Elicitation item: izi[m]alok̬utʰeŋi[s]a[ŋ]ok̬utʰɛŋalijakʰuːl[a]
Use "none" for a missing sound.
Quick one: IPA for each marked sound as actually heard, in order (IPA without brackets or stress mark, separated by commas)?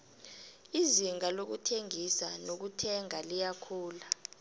ŋ, s, n, a